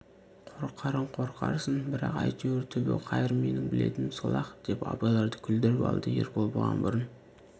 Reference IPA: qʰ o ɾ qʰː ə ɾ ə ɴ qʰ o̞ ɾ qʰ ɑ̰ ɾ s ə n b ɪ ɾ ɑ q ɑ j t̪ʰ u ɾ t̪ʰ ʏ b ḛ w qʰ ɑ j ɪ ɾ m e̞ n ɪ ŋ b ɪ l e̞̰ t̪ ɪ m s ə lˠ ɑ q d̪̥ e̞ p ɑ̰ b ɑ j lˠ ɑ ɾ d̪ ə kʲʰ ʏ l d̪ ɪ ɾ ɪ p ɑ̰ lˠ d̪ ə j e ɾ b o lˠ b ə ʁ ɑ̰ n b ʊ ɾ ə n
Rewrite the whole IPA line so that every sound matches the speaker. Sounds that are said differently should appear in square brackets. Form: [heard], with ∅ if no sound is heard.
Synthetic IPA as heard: qʰ o ɾ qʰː [ɑ] ɾ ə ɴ qʰ o̞ ɾ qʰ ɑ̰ ɾ s ə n b ɪ ɾ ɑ q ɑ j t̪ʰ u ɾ t̪ʰ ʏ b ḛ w qʰ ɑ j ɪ ɾ m e̞ n ɪ ŋ b ɪ l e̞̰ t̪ ɪ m s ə lˠ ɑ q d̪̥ e̞ p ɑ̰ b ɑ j lˠ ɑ ɾ d̪ ə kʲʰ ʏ l d̪ ɪ ɾ ɪ p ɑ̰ lˠ d̪ ə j e ɾ b o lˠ b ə ʁ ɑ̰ n b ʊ ɾ ə n

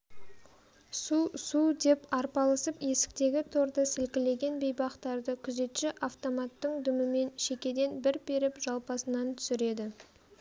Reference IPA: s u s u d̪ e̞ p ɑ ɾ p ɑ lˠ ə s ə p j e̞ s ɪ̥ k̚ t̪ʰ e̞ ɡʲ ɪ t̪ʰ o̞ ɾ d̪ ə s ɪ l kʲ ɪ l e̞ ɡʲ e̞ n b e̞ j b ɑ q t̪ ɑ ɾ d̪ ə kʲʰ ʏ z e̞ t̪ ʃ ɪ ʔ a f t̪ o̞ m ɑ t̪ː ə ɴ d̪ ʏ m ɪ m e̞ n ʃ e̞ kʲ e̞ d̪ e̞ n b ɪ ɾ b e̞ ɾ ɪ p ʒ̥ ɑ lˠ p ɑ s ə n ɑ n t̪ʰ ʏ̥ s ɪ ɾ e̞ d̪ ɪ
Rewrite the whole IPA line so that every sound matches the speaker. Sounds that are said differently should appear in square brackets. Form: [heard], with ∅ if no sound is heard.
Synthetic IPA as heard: s u s u d̪ e̞ p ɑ ɾ p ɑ lˠ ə s ə p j e̞ s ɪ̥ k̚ [t̪] e̞ ɡʲ ɪ t̪ʰ o̞ ɾ d̪ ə s ɪ l kʲ ɪ l e̞ ɡʲ e̞ n b e̞ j b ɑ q t̪ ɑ ɾ d̪ ə kʲʰ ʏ z e̞ t̪ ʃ ɪ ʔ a f t̪ o̞ m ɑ t̪ː ə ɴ d̪ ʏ m ɪ m e̞ n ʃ e̞ kʲ e̞ d̪ e̞ n b ɪ ɾ b e̞ ɾ ɪ p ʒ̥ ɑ lˠ p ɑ s ə n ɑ n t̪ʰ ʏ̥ s ɪ ɾ e̞ d̪ ɪ

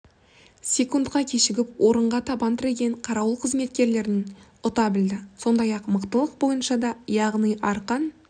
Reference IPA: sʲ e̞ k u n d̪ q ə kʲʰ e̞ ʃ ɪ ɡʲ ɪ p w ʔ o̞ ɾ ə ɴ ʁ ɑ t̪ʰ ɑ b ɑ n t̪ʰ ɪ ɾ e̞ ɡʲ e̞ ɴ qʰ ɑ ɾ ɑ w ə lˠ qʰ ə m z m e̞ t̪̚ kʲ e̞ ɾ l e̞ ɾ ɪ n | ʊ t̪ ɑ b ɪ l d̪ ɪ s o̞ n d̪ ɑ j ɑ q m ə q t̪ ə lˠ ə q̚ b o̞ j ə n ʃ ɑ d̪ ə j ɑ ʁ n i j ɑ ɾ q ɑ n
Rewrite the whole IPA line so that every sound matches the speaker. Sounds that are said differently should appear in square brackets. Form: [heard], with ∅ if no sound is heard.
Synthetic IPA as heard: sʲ e̞ k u n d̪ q [ɑ] kʲʰ e̞ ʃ ɪ ɡʲ ɪ p w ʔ o̞ ɾ ə ɴ ʁ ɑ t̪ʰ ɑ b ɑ n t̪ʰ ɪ ɾ e̞ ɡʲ e̞ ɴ qʰ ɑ ɾ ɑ w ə lˠ qʰ ə [∅] z m e̞ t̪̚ kʲ e̞ ɾ l e̞ ɾ ɪ n | ʊ t̪ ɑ b ɪ l d̪ ɪ s o̞ n d̪ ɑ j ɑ q m ə q t̪ ə lˠ ə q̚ b o̞ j ə n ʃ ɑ d̪ [ɑ] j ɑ ʁ n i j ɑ ɾ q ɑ n

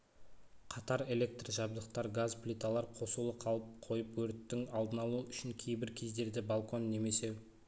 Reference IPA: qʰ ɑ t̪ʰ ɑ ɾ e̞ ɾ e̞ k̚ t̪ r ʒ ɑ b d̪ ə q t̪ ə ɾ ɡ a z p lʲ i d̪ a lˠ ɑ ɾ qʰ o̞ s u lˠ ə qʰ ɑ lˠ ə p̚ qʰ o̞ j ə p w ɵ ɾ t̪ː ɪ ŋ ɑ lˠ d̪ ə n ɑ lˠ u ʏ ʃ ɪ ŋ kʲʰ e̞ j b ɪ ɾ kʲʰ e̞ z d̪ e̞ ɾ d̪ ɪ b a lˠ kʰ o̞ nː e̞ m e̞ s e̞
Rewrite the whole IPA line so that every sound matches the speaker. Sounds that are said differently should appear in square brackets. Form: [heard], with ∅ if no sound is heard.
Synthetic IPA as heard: qʰ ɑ [t̪] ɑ ɾ e̞ [l] e̞ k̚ t̪ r ʒ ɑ b d̪ ə q t̪ [ɑ] ɾ ɡ a z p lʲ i [t̪] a lˠ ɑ ɾ qʰ o̞ s u lˠ ə qʰ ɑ lˠ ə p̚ qʰ o̞ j ə p w ɵ ɾ t̪ː ɪ ŋ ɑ lˠ d̪ ə n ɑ lˠ u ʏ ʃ ɪ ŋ kʲʰ e̞ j b ɪ ɾ kʲʰ e̞ z d̪ e̞ ɾ d̪ ɪ b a lˠ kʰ o̞ nː e̞ m e̞ s e̞

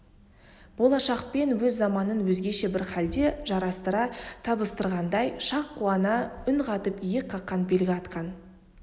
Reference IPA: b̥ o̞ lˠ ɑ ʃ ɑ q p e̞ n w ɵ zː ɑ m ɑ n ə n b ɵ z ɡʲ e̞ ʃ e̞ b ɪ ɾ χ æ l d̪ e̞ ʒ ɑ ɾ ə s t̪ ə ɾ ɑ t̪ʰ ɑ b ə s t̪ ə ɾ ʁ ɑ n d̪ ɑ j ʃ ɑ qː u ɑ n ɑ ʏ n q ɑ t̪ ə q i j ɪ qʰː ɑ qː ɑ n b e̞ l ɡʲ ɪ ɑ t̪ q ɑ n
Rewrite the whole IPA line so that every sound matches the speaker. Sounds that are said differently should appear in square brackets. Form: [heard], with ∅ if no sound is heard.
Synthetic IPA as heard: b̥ o̞ lˠ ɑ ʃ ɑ q p e̞ n w ɵ zː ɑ m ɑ n ə n [w] ɵ z ɡʲ e̞ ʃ e̞ b ɪ ɾ χ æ l d̪ e̞ ʒ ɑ ɾ [ɑ] s t̪ ə ɾ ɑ t̪ʰ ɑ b ə s t̪ ə ɾ ʁ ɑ n d̪ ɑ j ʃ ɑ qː u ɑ n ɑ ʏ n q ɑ t̪ ə [p] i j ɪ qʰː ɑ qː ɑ n b e̞ l ɡʲ ɪ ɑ t̪ q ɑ n

